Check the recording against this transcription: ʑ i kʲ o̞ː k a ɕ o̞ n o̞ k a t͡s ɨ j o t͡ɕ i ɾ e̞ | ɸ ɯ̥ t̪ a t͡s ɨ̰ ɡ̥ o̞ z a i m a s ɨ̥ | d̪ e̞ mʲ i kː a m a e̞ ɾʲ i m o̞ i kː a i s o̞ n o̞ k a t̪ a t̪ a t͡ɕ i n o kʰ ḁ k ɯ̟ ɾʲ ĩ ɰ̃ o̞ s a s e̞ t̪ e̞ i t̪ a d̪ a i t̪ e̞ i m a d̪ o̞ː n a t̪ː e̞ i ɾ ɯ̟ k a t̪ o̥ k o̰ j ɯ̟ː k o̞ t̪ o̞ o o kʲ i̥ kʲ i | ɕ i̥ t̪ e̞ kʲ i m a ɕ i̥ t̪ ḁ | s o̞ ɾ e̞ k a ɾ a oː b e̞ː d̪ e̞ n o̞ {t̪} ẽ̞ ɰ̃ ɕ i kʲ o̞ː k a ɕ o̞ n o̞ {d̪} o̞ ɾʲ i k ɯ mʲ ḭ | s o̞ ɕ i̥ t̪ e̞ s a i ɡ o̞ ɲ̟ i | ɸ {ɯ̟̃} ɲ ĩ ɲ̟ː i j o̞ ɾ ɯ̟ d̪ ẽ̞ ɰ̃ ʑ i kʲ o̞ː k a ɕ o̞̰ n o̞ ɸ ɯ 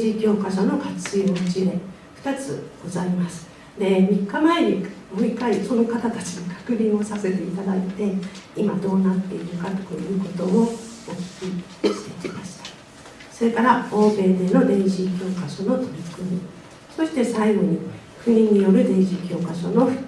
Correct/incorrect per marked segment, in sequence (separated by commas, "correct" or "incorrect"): incorrect, incorrect, incorrect